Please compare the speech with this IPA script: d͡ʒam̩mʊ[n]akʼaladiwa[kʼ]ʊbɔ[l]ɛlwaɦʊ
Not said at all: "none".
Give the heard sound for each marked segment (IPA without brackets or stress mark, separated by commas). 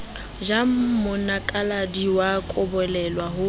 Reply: n, kʼ, l